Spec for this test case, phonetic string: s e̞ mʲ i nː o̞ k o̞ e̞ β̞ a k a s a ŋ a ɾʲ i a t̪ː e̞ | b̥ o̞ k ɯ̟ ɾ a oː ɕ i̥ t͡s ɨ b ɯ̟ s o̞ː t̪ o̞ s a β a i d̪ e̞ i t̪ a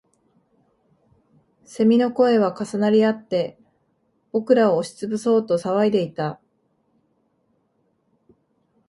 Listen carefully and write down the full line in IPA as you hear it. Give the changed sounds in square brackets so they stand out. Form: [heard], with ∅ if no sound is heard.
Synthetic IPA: s e̞ mʲ i [n] o̞ k o̞ e̞ β̞ a k a s a [n] a ɾʲ i a t̪ː e̞ | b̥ o̞ k ɯ̟ ɾ a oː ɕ i̥ t͡s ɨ b ɯ̟ s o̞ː t̪ o̞ s a β a i d̪ e̞ i t̪ a